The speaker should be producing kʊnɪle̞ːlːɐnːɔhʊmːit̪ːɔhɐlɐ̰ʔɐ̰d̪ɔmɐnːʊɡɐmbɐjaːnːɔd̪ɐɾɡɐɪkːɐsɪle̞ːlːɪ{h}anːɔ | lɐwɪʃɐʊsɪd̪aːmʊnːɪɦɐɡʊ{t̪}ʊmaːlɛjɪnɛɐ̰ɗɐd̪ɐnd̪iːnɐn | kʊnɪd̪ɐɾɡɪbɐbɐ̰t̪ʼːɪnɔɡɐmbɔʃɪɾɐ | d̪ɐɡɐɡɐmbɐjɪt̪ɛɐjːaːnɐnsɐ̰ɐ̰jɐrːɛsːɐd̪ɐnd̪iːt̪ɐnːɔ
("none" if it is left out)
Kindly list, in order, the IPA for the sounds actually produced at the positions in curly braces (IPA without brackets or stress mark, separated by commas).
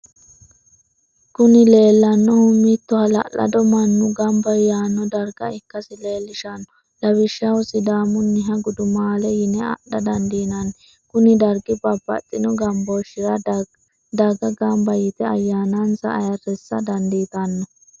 ʃ, d̪